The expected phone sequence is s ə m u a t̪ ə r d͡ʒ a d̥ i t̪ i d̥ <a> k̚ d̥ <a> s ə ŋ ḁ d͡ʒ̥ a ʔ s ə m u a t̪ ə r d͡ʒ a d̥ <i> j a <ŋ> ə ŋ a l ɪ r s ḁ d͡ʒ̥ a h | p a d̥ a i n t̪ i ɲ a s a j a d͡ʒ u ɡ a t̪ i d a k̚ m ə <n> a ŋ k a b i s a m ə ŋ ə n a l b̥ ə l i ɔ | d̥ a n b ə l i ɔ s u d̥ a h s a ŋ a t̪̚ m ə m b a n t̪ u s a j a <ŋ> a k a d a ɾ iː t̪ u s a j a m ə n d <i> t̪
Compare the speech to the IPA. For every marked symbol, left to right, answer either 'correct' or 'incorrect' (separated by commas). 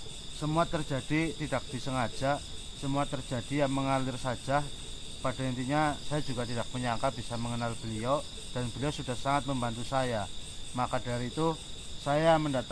correct, incorrect, correct, incorrect, incorrect, incorrect, incorrect